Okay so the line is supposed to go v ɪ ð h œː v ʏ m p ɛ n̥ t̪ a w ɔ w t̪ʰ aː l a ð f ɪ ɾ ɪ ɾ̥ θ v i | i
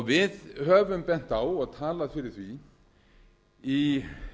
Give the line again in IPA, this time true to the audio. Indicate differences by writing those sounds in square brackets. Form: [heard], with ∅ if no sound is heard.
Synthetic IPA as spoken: v ɪ ð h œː v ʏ m p ɛ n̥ t̪ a w ɔ [ɣ] t̪ʰ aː l a ð f ɪ ɾ ɪ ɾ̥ θ v i | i